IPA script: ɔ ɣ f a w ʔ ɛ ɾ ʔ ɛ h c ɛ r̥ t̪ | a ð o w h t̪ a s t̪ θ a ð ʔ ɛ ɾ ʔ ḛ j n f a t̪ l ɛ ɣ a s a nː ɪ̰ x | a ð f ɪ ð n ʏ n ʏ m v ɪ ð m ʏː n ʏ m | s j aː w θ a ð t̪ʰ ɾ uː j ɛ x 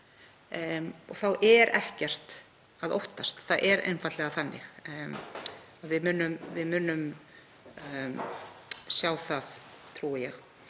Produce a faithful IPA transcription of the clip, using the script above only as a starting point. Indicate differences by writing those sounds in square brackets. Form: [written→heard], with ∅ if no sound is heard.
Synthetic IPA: ɔ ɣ [f→θ] a w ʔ ɛ ɾ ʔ ɛ h c ɛ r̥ t̪ | a ð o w h t̪ a s t̪ θ a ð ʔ ɛ ɾ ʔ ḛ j n f a t̪ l ɛ ɣ a [s→θ] a nː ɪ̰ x | a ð [f→v] ɪ ð [n→m] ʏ n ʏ m v ɪ ð m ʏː n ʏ m | s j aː w θ a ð t̪ʰ ɾ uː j ɛ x